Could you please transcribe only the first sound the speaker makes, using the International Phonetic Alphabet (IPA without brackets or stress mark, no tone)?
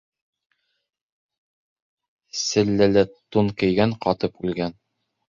s